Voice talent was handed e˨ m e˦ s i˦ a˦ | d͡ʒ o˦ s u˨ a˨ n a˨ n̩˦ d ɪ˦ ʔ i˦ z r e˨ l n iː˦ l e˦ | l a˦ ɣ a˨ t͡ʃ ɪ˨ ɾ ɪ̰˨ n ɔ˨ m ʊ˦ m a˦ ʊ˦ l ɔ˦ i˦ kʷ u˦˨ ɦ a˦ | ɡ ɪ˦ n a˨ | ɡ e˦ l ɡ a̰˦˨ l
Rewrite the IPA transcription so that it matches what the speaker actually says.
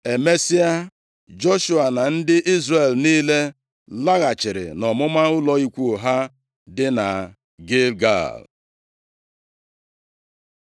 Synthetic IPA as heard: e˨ m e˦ s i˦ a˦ | d͡ʒ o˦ ʃ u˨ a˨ n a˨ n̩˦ d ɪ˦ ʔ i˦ z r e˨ l n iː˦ l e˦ | l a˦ ɣ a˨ t͡ʃ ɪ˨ ɾ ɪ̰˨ n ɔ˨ m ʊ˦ m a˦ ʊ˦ l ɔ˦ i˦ kʷ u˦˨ ɦ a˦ | d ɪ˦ n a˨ | ɡ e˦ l ɡ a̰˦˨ l